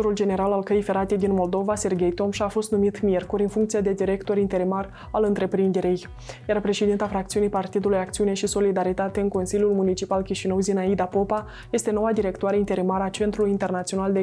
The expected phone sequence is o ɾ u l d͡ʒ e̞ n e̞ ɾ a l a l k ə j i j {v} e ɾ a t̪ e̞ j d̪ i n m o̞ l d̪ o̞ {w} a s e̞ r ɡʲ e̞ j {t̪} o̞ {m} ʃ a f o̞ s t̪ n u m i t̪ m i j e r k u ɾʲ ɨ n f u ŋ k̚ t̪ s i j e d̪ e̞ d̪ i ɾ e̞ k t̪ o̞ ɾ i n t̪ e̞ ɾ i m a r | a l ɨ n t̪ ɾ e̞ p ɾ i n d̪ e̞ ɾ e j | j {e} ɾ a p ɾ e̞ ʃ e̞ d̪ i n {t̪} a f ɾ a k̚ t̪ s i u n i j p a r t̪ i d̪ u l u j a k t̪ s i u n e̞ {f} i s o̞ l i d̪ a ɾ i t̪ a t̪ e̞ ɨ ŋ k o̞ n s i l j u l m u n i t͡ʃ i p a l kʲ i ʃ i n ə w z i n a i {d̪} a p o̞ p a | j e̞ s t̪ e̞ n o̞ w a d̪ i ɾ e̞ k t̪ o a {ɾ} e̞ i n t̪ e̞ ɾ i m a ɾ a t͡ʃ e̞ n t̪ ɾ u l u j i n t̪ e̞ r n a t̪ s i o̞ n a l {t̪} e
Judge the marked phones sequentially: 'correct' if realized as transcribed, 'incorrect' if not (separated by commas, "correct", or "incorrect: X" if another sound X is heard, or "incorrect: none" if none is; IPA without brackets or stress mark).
incorrect: f, incorrect: v, correct, correct, incorrect: a, correct, incorrect: ʃ, correct, correct, incorrect: d̪